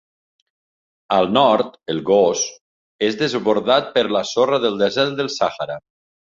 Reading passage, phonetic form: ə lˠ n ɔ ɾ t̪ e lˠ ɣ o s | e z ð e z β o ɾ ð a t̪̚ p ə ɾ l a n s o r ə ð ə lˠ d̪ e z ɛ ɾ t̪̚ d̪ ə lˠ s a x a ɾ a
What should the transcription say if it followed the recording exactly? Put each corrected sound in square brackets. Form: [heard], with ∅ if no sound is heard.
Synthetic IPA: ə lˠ n ɔ ɾ t̪ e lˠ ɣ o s | e z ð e z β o ɾ ð a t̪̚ p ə ɾ l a [∅] s o r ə ð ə lˠ d̪ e z ɛ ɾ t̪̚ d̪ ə lˠ s a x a ɾ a